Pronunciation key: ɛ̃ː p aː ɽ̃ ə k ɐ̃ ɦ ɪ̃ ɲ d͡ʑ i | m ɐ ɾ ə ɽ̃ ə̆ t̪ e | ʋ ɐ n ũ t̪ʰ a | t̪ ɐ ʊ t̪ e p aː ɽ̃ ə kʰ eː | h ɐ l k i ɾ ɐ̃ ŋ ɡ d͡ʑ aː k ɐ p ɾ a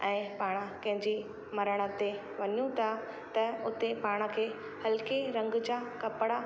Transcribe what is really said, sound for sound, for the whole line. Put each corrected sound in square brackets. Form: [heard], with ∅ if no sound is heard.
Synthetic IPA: ɛ̃ː p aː ɽ̃ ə k ɐ̃ ɦ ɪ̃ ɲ d͡ʑ i | m ɐ ɾ ə ɽ̃ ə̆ t̪ e | ʋ ɐ [ɲ] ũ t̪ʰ a | t̪ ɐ ʊ t̪ e p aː ɽ̃ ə kʰ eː | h ɐ l k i ɾ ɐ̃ ŋ ɡ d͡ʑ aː k ɐ p [ɽ] a